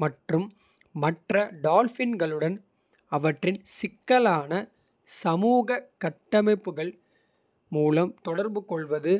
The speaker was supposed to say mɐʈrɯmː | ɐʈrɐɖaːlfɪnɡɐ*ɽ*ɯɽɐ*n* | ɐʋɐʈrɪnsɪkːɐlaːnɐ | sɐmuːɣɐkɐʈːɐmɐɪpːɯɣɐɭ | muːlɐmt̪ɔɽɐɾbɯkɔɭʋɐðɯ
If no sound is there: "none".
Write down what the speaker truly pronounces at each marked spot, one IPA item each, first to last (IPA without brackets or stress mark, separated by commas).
ɭ, n